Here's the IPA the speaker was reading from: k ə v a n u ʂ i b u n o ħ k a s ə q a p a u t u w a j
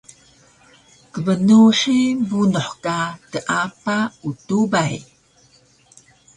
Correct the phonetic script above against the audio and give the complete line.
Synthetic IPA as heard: k ə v ə n u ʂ i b u n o ħ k a t ə ʔ a p a u t u b a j